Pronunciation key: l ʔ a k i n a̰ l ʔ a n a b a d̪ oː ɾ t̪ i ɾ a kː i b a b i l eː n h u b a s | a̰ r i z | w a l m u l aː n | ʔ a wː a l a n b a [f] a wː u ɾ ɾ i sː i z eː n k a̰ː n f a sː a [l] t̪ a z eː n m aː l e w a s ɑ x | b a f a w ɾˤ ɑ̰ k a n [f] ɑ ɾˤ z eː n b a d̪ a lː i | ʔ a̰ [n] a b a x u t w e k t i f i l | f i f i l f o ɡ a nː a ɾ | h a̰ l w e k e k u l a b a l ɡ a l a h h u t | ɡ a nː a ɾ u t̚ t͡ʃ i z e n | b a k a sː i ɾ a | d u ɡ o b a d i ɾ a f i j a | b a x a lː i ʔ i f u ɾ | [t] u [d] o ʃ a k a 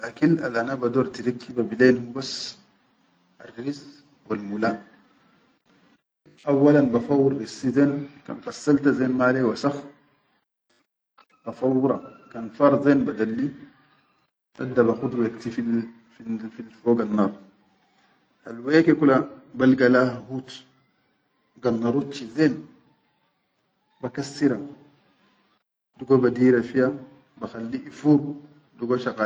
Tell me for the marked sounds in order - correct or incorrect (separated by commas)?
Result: correct, correct, correct, incorrect, incorrect, incorrect